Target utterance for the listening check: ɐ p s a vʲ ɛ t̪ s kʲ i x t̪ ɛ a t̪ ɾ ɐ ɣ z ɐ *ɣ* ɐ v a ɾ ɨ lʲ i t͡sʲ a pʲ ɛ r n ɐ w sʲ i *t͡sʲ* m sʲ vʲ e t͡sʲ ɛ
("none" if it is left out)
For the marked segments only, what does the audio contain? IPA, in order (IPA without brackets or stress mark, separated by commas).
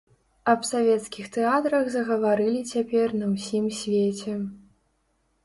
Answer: ɣ, none